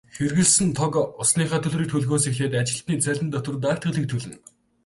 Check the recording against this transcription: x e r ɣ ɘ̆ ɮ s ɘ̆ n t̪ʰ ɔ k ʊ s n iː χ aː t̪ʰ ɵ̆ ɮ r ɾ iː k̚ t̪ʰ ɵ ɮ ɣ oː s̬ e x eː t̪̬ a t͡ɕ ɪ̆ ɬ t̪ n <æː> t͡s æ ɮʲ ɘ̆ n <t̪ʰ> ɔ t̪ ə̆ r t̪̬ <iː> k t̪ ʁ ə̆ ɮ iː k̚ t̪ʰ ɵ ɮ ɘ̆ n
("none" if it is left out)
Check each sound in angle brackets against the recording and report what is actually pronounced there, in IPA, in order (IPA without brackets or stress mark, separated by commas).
iː, t̪, aː